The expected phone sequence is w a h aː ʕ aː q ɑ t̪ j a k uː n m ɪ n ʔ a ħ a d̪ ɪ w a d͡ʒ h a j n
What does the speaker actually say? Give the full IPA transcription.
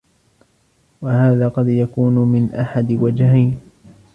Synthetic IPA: w a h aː ð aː q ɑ d̪ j a k uː n m ɪ n ʔ a ħ a d̪ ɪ w a d͡ʒ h a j n

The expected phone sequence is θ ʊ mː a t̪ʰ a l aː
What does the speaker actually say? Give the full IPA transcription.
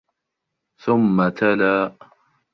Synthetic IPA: θ ʊ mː a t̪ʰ a l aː

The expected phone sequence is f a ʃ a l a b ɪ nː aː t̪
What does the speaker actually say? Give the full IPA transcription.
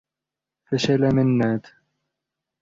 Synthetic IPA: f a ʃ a l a m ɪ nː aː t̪

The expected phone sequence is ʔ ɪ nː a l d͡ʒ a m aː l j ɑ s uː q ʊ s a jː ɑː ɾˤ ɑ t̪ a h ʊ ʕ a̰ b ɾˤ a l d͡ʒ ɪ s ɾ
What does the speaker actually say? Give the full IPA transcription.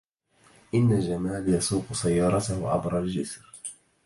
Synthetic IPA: ʔ ɪ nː a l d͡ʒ a m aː l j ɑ s uː q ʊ s a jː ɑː ɾˤ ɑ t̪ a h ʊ ʕ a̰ b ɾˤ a l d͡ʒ ɪ s ɾ

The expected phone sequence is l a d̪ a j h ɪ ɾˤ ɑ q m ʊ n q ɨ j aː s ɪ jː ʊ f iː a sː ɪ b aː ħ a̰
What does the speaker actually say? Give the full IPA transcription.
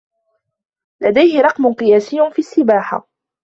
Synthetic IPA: l a d̪ a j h ɪ ɾˤ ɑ q m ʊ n q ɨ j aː s ɪ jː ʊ f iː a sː ɪ b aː ħ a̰

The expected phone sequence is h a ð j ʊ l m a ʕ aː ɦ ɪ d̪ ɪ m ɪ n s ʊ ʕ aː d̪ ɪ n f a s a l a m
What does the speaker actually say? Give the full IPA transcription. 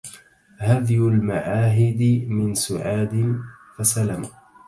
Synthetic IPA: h a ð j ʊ l m a ʕ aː ɦ ɪ d̪ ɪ m ɪ n s ʊ ʕ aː d̪ ɪ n f a s a l a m

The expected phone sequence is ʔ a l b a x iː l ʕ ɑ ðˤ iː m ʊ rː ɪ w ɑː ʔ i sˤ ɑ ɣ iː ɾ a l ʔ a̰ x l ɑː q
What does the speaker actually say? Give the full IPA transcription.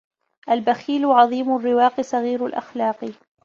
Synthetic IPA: ʔ a l b a x iː l ʕ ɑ ðˤ iː m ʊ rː ɪ w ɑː q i sˤ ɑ ɣ iː ɾ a l ʔ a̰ x l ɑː q

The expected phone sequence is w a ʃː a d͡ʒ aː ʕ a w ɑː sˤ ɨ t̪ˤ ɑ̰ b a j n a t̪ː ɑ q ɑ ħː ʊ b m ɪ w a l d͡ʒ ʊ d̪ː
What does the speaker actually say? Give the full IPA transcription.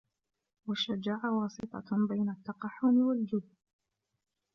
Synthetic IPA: w a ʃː a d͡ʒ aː ʕ a w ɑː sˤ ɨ t̪ˤ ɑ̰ b a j n a t̪ː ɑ q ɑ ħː ʊ m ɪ w a l d͡ʒ ʊ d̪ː

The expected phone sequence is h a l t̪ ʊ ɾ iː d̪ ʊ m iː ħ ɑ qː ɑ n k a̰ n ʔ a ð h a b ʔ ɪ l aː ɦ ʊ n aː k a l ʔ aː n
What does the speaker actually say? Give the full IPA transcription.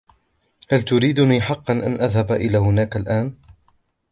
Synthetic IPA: h a l t̪ ʊ ɾ iː d̪ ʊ n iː ħ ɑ qː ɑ n ʔ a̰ n ʔ a ð h a b ʔ ɪ l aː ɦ ʊ n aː k a l ʔ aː n

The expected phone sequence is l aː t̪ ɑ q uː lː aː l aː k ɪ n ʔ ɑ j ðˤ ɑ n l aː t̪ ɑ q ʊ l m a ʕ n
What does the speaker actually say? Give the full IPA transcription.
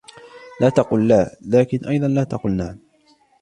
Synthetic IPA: l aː t̪ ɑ q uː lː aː l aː k ɪ n ʔ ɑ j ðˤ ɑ n l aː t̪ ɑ q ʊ l n a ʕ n

